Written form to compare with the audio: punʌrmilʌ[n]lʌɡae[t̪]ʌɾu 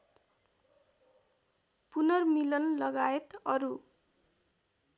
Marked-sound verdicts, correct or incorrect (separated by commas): correct, correct